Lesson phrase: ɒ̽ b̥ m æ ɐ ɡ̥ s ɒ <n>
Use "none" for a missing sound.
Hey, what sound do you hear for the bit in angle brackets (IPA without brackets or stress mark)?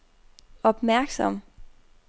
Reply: m